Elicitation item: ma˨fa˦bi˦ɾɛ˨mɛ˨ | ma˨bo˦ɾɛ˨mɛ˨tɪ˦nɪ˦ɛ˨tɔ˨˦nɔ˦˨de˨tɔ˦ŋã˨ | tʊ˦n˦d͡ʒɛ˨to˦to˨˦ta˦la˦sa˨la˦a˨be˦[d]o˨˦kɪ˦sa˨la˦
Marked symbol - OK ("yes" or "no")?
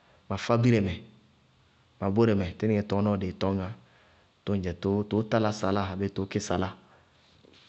no